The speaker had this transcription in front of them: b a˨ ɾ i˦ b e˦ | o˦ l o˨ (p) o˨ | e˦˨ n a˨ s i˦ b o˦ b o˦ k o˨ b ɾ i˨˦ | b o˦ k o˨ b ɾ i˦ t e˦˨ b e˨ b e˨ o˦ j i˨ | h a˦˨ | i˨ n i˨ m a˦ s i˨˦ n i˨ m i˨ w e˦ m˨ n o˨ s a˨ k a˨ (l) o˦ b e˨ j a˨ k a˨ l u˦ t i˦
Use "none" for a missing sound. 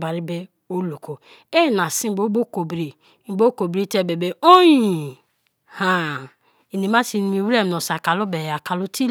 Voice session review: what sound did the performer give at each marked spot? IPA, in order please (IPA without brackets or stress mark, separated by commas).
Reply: k, l